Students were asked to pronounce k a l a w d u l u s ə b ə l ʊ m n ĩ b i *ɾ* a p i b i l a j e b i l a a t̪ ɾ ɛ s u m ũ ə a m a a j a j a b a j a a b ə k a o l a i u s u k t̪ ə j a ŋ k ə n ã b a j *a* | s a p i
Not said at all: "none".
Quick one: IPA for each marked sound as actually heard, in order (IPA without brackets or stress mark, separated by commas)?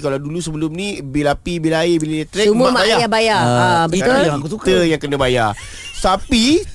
l, a